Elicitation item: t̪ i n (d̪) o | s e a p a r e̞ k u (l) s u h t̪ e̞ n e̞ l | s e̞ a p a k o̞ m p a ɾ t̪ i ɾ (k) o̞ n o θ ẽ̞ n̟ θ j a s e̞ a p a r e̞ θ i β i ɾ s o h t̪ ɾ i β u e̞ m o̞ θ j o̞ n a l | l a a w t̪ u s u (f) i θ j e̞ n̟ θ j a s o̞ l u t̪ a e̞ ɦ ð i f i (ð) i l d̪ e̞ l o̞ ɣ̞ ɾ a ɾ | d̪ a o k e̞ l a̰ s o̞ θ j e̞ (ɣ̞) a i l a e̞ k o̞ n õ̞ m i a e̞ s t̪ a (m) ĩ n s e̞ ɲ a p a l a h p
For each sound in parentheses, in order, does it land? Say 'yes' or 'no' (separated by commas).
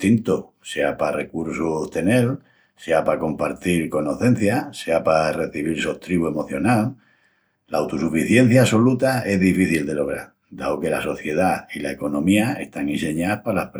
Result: no, no, yes, yes, no, no, no